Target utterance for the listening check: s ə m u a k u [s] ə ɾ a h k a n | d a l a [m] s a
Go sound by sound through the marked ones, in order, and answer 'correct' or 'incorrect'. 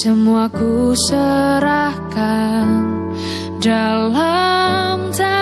correct, correct

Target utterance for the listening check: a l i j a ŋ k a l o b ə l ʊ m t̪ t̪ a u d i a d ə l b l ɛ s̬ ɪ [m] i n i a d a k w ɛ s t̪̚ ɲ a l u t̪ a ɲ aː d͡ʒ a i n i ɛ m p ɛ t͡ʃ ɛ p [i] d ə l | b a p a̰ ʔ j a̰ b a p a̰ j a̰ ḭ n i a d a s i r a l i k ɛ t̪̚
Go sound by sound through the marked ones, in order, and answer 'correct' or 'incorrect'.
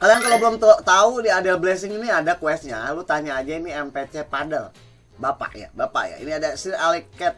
incorrect, incorrect

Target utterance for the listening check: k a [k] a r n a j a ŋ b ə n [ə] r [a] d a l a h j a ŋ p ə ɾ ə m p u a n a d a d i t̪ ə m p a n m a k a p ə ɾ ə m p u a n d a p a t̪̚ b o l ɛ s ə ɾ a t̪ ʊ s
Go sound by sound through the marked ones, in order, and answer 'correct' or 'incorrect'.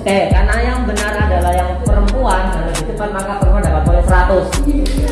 correct, incorrect, correct

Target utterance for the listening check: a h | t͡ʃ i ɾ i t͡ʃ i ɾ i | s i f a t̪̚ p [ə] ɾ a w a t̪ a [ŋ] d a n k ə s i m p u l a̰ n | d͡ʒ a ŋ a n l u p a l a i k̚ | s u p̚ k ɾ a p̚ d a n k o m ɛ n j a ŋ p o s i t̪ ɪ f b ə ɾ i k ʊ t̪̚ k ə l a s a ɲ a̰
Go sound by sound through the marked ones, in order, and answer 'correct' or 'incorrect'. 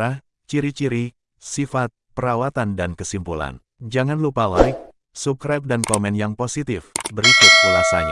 correct, incorrect

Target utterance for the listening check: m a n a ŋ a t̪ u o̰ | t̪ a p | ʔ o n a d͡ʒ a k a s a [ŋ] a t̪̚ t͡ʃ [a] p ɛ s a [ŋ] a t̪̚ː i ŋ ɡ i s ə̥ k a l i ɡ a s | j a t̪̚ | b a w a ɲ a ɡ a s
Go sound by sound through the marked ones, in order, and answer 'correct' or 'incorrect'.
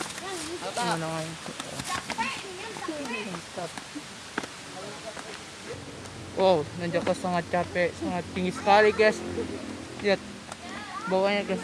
correct, correct, correct

